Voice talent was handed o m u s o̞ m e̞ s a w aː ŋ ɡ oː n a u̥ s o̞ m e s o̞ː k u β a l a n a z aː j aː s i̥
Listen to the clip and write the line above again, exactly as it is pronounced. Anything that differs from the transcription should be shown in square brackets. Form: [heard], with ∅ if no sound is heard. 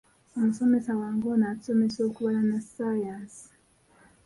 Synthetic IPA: o m u s o̞ m e̞ s a w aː ŋ ɡ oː n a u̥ s o̞ m e s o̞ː k u β a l a n a [s] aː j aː s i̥